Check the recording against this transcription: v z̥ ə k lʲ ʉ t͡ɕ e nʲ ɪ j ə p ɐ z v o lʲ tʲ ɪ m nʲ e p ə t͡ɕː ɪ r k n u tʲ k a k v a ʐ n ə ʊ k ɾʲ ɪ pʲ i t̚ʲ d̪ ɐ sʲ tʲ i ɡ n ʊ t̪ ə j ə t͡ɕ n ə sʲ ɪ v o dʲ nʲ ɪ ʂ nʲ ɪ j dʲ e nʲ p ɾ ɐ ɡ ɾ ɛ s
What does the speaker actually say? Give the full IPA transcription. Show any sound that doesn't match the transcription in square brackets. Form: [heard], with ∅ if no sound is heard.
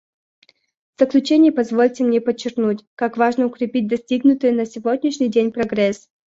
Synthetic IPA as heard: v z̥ ə k lʲ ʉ t͡ɕ e nʲ ɪ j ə p ɐ z v o lʲ tʲ ɪ m nʲ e p ə t͡ɕː ɪ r k n u tʲ k a k v a ʐ n ə ʊ k ɾʲ ɪ pʲ i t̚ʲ d̪ ɐ sʲ tʲ i ɡ n ʊ t̪ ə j ə [∅] n ə sʲ ɪ v o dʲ nʲ ɪ ʂ nʲ ɪ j dʲ e nʲ p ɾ ɐ ɡ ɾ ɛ s